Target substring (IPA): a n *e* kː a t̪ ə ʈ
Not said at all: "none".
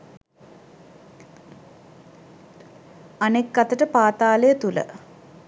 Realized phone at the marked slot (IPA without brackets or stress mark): e